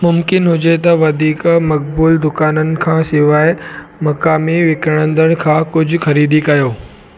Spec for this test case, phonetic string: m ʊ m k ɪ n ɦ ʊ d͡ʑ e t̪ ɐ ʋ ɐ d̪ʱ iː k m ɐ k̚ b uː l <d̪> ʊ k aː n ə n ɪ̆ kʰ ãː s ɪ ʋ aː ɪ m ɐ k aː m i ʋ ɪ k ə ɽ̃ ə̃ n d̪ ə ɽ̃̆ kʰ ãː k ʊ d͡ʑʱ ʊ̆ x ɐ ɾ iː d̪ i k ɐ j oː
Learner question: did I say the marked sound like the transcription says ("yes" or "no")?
yes